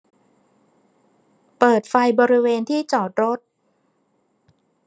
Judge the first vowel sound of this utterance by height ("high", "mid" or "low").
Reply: mid